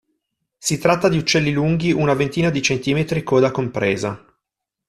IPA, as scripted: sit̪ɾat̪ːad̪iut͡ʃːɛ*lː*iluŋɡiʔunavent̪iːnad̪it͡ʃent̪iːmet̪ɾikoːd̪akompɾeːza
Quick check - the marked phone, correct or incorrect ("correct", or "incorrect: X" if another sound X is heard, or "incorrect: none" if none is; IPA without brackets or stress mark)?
correct